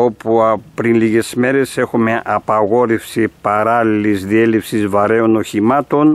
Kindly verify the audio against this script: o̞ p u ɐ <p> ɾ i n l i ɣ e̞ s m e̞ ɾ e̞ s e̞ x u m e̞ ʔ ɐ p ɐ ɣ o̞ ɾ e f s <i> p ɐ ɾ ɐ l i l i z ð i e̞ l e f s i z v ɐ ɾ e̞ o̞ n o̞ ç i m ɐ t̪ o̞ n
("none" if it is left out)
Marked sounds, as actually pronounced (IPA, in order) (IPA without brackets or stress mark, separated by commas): p, i